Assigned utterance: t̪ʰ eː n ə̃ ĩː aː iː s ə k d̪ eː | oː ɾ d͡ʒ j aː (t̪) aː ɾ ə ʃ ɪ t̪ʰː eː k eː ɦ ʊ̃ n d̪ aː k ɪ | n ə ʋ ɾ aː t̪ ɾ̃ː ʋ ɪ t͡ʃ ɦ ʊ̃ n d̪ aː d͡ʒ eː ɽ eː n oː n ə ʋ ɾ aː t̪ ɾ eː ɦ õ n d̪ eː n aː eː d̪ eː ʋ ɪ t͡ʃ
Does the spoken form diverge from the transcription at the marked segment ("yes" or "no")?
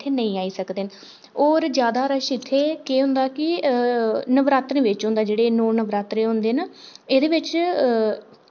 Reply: yes